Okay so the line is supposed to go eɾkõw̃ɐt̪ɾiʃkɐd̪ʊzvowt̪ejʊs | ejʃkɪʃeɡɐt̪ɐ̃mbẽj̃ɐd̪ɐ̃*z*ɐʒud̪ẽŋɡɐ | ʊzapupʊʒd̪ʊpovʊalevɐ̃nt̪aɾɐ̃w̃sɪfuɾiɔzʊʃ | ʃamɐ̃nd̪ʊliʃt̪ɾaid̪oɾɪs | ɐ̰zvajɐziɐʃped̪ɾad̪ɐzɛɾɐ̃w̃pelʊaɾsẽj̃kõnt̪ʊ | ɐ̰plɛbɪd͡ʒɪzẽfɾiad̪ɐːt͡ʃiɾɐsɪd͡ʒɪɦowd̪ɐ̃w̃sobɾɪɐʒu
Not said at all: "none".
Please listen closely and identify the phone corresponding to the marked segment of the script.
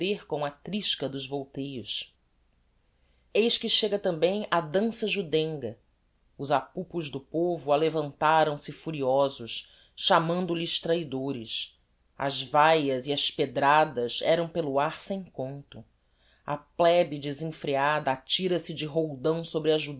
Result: s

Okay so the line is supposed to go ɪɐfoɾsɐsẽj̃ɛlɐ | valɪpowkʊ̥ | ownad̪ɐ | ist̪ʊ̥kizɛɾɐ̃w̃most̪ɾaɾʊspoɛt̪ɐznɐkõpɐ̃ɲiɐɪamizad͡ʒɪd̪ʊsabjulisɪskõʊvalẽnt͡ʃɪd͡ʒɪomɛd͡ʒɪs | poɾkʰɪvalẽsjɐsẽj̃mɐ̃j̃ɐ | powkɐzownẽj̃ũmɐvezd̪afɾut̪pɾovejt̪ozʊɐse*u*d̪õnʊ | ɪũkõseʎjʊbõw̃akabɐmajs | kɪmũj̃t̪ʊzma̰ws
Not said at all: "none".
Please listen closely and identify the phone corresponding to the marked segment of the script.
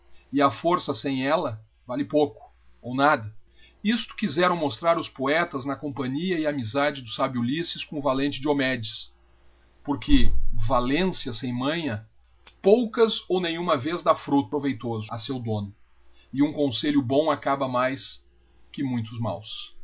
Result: w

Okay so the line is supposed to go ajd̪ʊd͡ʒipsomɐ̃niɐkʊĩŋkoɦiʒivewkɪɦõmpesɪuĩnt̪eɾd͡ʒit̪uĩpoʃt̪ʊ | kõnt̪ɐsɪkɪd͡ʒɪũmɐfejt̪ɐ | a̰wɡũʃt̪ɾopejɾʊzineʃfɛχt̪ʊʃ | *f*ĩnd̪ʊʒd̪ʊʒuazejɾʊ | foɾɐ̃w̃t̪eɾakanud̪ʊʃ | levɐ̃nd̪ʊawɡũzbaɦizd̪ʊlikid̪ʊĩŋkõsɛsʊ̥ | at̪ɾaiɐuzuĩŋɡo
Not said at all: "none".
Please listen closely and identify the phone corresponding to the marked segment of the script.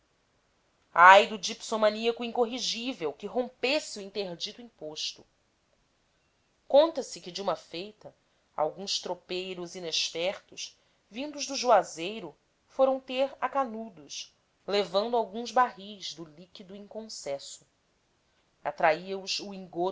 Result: v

